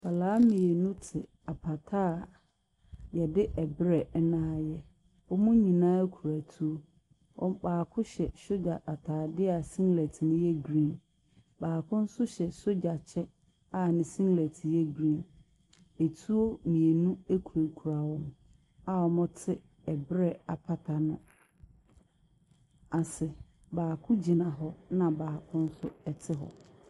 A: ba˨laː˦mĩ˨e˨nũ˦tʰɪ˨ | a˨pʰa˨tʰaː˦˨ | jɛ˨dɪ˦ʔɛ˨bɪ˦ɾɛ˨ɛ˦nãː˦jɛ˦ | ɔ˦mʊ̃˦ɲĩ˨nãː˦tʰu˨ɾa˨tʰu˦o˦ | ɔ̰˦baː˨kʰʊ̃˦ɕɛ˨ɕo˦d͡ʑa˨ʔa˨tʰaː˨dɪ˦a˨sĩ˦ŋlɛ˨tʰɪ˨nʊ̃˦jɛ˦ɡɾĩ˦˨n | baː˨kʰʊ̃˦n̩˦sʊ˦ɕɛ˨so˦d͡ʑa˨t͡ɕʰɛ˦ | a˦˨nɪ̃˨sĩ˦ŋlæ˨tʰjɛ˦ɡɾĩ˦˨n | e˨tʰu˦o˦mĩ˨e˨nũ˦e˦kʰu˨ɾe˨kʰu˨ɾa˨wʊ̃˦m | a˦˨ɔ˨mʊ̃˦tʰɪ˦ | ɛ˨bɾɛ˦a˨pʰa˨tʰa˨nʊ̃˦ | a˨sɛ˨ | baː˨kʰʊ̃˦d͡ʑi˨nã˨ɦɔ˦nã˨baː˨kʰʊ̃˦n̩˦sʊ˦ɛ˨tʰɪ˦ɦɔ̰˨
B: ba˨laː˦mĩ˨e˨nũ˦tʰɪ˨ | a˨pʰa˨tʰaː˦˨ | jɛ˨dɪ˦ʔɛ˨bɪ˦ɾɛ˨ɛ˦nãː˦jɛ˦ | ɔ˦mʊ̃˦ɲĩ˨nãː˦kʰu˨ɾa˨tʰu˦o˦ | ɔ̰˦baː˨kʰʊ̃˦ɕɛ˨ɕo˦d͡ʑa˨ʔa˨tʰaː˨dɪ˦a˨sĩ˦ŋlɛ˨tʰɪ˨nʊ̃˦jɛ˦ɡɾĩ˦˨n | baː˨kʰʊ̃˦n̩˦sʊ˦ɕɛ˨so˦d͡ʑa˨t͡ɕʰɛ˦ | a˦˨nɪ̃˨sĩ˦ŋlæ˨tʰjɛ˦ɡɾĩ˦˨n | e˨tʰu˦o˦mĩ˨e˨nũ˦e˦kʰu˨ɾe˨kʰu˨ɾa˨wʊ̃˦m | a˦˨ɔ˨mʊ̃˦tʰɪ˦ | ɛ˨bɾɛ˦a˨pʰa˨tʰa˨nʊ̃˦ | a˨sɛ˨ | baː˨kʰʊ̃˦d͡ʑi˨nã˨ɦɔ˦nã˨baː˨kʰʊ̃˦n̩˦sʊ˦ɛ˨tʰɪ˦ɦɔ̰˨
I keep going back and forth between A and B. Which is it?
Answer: B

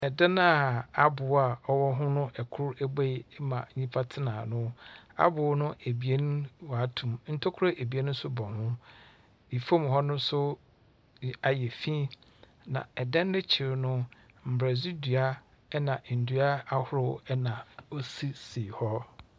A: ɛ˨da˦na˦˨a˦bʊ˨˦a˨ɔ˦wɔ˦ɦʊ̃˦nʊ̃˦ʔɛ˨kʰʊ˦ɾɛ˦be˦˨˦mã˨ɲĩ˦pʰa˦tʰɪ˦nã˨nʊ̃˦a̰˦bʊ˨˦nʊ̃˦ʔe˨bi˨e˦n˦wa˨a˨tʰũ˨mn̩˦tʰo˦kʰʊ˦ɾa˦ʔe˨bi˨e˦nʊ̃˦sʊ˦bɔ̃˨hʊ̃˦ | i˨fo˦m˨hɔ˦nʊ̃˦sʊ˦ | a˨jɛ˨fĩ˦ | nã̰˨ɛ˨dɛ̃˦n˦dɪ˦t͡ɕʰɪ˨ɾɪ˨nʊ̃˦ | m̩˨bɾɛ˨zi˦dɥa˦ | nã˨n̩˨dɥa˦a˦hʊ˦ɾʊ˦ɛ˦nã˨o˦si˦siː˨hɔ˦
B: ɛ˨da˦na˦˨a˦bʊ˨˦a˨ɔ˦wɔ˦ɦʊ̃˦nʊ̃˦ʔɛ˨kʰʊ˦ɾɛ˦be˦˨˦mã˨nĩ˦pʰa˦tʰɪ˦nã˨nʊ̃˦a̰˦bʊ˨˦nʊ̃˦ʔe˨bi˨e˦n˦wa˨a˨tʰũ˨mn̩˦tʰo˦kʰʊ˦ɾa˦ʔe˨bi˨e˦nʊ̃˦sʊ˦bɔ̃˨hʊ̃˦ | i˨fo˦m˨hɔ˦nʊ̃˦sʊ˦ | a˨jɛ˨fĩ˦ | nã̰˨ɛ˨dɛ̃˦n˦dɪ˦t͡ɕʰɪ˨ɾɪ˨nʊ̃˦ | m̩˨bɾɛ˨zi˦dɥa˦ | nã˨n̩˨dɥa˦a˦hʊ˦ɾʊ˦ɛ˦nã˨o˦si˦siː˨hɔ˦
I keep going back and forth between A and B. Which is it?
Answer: A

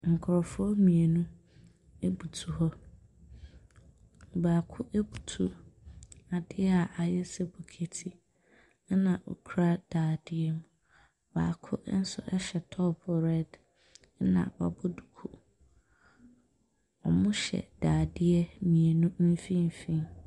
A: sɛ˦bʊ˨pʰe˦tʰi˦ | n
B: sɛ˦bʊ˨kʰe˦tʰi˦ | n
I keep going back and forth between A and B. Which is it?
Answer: B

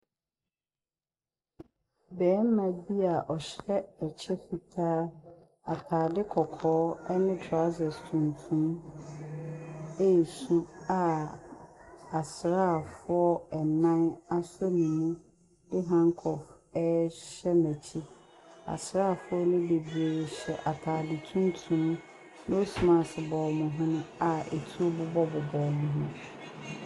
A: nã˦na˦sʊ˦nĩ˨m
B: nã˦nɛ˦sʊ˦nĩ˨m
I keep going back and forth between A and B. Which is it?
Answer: A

